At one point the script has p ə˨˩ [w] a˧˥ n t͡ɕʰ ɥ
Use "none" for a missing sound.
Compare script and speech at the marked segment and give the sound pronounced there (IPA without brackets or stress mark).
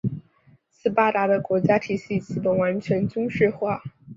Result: w